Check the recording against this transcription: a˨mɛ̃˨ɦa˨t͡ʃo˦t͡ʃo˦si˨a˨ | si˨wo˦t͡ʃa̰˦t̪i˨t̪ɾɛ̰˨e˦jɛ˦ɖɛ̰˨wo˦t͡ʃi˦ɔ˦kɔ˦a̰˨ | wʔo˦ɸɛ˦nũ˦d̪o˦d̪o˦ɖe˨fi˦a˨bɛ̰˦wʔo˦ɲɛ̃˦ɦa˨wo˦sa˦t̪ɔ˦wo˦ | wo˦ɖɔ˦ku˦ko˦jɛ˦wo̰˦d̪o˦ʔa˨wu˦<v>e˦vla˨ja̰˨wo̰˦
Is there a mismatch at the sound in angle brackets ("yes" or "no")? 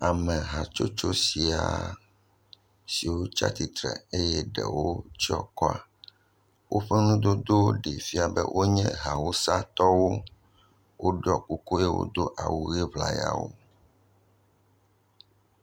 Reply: yes